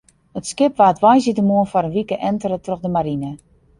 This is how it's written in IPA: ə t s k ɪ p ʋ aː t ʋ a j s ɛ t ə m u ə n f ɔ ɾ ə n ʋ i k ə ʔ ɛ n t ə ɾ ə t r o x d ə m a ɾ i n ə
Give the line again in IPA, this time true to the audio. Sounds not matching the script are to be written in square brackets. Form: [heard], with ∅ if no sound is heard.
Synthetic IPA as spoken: ə t s k ɪ p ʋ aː t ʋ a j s [i] t ə m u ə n f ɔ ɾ ə n ʋ i k ə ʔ ɛ n t ə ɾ ə t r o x d ə m a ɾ i n ə